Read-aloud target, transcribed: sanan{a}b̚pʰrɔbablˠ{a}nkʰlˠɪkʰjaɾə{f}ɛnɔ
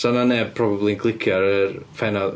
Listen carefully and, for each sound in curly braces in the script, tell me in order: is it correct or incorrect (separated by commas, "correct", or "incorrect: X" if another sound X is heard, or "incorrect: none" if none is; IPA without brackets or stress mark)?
incorrect: ɛ, incorrect: i, correct